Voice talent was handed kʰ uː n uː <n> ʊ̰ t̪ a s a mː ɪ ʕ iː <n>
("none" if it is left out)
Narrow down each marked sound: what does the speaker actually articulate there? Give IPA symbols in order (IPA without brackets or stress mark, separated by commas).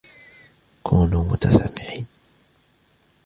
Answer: m, n